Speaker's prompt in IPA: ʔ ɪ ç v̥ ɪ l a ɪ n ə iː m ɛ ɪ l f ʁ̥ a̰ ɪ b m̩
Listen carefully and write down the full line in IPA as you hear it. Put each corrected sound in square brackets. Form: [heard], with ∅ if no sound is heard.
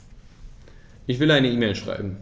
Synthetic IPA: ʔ ɪ ç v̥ ɪ l a ɪ n ə iː m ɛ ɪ l [ʃ] ʁ̥ a̰ ɪ b m̩